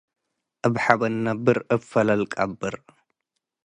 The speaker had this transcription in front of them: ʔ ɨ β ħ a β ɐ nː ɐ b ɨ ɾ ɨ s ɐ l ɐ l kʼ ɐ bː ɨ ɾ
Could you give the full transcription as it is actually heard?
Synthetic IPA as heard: ʔ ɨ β ħ a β ɐ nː ɐ b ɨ ɾ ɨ f ɐ l ɐ l kʼ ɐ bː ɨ ɾ